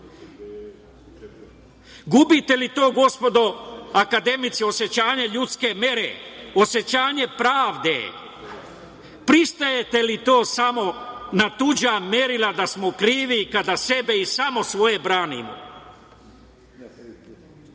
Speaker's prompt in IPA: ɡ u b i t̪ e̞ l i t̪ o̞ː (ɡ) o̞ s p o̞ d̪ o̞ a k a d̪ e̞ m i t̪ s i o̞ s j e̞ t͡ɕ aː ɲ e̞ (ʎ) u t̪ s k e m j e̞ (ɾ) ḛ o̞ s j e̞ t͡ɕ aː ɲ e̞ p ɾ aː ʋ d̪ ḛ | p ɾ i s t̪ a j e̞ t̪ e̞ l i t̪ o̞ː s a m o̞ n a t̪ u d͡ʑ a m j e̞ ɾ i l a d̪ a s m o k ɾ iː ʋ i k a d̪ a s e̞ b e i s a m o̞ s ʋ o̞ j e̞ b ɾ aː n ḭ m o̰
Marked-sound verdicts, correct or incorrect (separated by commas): correct, correct, correct